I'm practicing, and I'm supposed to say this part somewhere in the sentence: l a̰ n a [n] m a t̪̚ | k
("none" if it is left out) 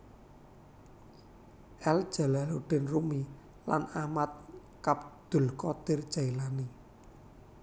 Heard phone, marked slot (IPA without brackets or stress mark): none